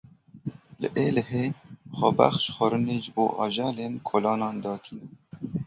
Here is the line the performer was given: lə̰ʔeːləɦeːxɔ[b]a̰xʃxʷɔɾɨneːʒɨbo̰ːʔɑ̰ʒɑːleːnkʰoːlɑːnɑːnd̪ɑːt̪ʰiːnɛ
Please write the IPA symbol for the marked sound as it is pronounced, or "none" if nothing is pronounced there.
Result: b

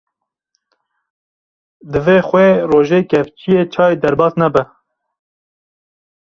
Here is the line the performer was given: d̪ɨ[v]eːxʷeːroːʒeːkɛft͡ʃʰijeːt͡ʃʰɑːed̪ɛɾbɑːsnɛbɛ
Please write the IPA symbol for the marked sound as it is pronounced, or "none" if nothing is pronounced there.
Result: v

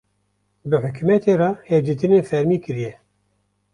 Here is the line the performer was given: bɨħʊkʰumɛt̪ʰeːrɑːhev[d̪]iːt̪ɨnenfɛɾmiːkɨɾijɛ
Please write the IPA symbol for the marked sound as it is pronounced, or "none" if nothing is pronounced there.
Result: d̪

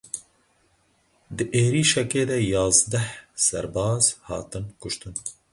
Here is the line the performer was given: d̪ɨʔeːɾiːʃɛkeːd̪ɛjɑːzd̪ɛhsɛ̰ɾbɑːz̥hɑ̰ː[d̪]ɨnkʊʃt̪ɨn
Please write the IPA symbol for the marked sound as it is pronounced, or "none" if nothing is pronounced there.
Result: t̪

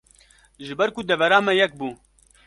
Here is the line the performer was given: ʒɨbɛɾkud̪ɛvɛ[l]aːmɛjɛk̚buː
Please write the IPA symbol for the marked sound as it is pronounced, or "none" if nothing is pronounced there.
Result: ɾ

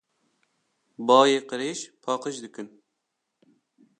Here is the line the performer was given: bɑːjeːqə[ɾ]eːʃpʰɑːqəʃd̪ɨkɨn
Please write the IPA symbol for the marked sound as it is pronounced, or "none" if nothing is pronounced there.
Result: ɾ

